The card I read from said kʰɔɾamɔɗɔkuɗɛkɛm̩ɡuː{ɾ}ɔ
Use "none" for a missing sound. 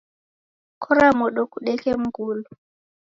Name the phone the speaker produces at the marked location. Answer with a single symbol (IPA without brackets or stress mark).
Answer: l